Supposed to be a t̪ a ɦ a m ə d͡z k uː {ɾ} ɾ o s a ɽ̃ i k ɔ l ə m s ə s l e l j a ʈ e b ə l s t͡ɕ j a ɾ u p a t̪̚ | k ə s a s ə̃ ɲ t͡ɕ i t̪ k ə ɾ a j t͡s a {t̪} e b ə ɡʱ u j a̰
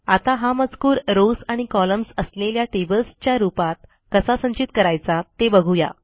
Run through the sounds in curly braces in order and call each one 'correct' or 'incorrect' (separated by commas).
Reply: correct, correct